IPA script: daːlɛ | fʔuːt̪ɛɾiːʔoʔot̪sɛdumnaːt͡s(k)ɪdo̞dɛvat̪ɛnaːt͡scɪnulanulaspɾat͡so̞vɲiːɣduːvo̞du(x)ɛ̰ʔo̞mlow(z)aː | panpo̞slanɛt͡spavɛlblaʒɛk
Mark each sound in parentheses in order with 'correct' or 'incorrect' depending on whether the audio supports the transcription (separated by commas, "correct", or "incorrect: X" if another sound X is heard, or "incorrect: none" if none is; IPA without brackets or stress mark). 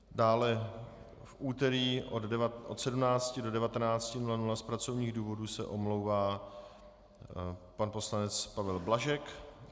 incorrect: c, incorrect: s, incorrect: v